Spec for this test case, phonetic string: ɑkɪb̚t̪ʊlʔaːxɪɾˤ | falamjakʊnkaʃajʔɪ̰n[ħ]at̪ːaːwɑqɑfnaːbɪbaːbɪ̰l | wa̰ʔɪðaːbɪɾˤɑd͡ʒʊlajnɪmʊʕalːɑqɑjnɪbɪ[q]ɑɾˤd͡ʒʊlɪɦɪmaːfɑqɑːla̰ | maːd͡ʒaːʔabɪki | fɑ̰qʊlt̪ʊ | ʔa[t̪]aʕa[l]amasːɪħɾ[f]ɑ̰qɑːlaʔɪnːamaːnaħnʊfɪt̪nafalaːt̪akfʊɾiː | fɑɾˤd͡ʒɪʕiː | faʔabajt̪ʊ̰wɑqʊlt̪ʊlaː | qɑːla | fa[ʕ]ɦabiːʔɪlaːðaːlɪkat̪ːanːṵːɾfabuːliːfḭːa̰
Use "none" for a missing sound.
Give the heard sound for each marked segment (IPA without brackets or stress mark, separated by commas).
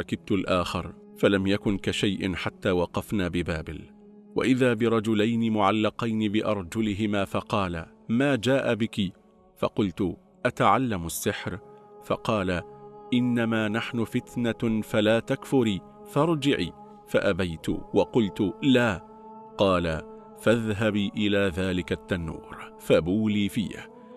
ħ, ʔ, t̪, lː, f, ð